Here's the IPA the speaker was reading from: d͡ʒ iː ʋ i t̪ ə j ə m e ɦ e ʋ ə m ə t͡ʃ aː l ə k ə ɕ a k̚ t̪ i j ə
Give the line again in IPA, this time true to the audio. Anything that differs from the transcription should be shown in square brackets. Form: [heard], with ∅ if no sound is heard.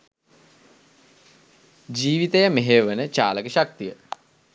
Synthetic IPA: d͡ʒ iː ʋ i t̪ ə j ə m e ɦ e ʋ ə [n] ə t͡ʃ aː l ə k ə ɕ a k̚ t̪ i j ə